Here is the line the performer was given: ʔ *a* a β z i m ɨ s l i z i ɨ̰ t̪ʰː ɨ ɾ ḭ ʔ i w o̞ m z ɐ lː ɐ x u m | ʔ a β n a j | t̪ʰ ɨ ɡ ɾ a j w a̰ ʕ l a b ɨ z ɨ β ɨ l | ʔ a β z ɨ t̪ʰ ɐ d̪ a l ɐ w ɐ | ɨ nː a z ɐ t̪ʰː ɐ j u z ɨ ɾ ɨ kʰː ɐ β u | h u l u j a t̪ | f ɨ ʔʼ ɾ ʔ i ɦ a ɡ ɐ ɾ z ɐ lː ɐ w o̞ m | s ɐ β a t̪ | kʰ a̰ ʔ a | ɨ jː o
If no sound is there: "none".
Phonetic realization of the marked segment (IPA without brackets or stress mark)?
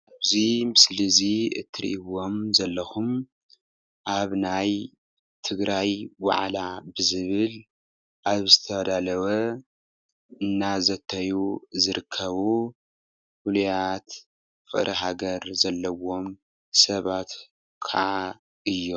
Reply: a